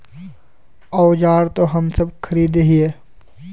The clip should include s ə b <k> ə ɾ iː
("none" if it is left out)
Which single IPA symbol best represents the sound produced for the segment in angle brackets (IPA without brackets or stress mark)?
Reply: kʰ